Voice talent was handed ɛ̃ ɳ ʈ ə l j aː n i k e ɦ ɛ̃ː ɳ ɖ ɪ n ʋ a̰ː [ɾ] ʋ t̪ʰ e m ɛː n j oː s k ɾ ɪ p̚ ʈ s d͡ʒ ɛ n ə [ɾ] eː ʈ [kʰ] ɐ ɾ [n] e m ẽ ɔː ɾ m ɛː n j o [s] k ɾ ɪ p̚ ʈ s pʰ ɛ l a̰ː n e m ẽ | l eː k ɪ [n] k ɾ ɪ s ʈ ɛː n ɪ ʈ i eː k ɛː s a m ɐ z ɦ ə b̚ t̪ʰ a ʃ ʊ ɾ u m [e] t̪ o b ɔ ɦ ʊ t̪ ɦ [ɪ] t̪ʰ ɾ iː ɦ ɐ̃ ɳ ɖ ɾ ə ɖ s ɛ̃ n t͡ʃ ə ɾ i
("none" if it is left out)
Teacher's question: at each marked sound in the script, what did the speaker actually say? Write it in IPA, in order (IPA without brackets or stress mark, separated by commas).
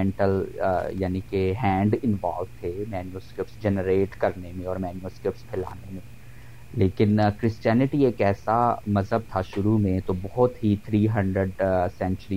l, ɾ, k, n, s, n, ẽ, i